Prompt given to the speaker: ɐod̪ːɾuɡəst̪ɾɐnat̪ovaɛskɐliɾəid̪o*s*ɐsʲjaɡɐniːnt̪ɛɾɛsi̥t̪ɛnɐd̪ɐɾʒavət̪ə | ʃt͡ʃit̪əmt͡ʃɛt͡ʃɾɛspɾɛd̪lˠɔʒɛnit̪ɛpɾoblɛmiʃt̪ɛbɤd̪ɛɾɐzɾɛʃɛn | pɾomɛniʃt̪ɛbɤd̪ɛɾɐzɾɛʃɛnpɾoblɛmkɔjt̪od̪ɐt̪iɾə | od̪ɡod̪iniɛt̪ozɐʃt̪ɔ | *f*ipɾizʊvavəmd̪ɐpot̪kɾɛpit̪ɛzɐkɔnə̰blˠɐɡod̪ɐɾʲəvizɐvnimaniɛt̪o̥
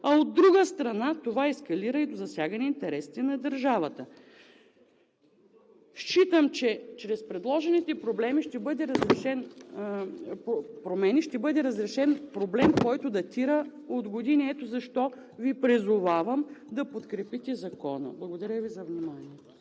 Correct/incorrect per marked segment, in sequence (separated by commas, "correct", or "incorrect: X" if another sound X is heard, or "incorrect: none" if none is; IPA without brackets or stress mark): incorrect: z, incorrect: v